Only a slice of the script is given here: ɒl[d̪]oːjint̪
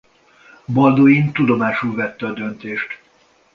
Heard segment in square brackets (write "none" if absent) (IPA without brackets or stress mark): d̪